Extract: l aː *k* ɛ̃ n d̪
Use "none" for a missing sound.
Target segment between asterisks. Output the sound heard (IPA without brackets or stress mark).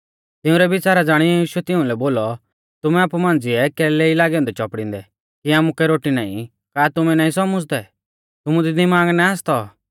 ɡ